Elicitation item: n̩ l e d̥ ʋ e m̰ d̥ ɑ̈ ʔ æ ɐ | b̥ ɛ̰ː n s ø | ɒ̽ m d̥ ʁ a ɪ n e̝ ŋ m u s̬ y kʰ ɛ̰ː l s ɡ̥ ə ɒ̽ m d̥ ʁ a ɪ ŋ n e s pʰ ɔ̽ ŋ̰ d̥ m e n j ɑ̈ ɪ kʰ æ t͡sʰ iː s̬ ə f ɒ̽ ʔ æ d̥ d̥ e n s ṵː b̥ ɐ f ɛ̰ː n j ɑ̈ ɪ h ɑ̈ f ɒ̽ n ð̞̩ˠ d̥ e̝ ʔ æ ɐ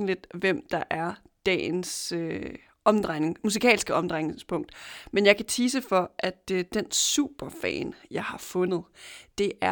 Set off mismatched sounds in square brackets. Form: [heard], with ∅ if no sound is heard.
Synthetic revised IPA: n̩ l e d̥ ʋ e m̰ d̥ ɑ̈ ʔ æ ɐ | [d̥] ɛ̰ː n s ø | ɒ̽ m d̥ ʁ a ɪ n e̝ ŋ m u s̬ [i] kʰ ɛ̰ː l s ɡ̥ ə ɒ̽ m d̥ ʁ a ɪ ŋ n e s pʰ ɔ̽ ŋ̰ d̥ m e n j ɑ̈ ɪ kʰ æ t͡sʰ iː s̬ ə f ɒ̽ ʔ æ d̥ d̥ e n s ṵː b̥ ɐ f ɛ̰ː n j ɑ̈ ɪ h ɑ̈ f [ɔ̽] n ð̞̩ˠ d̥ e̝ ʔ æ ɐ